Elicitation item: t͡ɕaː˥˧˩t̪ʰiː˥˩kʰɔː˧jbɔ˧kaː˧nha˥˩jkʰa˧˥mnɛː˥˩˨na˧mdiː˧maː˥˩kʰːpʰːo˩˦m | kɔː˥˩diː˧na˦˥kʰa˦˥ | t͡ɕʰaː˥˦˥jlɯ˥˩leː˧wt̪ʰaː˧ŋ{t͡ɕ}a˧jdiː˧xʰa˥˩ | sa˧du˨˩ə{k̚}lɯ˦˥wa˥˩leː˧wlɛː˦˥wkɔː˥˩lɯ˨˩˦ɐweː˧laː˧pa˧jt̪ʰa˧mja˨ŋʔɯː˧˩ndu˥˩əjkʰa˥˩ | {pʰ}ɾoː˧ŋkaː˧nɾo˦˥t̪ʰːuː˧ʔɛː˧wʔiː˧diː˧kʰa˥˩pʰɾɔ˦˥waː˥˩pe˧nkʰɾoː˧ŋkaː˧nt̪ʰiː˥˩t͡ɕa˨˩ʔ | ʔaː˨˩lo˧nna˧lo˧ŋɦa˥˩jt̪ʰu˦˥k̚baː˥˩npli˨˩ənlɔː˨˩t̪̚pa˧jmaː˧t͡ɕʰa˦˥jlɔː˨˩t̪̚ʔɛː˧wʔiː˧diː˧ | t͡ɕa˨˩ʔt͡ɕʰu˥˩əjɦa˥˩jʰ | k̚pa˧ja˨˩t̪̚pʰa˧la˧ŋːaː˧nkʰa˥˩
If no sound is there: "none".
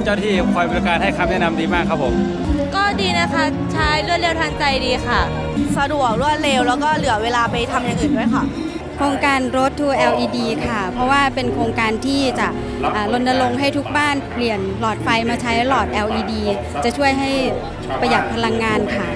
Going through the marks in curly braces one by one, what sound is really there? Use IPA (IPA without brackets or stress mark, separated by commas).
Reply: t͡ɕ, k̚, kʰ